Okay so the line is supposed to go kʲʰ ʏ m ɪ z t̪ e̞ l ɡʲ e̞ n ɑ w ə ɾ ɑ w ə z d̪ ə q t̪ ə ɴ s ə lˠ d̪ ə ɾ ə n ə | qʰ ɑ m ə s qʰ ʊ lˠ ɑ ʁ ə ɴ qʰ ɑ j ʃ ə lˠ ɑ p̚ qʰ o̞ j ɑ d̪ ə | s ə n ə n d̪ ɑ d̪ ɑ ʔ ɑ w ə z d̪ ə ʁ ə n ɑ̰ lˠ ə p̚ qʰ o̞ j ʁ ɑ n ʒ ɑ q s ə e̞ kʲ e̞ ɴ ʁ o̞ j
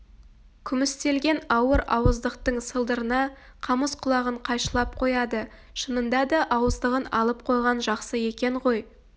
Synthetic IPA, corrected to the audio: kʲʰ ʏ m ɪ s t̪ e̞ l ɡʲ e̞ n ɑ w ə ɾ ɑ w ə z d̪ ə q t̪ ə ɴ s ə lˠ d̪ ə ɾ ə n ɑ | qʰ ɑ m ə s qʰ ʊ lˠ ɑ ʁ ə ɴ qʰ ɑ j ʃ ə lˠ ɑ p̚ qʰ o̞ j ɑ d̪ ə | ʃ ə n ə n d̪ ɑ d̪ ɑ ʔ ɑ w ə z d̪ ə ʁ ə n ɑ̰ lˠ ə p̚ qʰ o̞ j ʁ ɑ n ʒ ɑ q s ə e̞ kʲ e̞ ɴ ʁ o̞ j